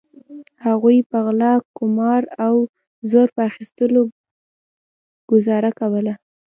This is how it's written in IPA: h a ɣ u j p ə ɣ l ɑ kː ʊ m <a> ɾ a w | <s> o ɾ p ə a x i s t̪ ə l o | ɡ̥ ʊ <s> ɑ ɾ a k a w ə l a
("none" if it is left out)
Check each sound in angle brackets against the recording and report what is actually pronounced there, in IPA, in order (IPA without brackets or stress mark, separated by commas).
ɑ, z, z